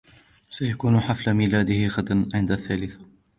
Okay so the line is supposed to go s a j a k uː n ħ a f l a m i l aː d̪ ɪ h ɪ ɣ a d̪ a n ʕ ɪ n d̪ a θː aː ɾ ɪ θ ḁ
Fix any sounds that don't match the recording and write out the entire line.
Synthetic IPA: s a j a k uː n ħ a f l a m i l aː d̪ ɪ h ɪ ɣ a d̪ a n ʕ ɪ n d̪ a θː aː l ɪ θ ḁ